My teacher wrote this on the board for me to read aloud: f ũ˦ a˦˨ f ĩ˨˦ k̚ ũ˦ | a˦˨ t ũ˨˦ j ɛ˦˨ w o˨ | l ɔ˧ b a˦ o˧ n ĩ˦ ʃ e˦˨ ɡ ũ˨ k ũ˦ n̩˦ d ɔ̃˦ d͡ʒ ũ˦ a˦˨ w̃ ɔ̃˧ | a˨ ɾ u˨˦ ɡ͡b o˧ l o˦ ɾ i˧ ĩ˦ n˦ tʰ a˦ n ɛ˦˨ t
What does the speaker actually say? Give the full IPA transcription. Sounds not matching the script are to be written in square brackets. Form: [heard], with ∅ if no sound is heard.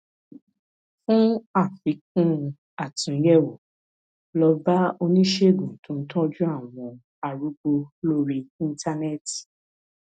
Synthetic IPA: f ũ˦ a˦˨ f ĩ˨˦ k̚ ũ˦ | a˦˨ t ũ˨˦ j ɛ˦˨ w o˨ | l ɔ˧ b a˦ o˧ n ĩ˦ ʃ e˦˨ ɡ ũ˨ [t] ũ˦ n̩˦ [t] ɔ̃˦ d͡ʒ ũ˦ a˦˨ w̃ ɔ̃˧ | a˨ ɾ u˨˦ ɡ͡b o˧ l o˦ ɾ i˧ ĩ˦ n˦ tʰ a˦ n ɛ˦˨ t